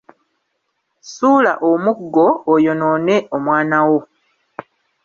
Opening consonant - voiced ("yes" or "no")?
no